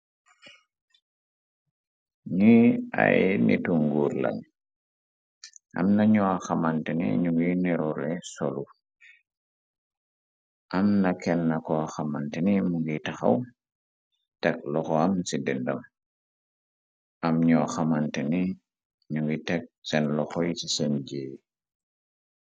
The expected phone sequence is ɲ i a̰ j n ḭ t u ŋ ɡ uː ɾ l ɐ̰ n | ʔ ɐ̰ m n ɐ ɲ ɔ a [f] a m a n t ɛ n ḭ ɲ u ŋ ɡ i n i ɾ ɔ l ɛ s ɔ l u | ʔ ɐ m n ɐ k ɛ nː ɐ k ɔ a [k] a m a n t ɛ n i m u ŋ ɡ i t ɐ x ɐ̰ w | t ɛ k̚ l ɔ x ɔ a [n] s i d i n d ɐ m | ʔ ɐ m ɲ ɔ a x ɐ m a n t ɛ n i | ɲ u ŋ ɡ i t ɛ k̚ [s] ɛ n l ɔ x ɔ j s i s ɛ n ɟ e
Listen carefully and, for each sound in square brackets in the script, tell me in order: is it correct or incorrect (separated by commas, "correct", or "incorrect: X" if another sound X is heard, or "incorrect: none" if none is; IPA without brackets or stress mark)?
incorrect: x, incorrect: x, incorrect: m, correct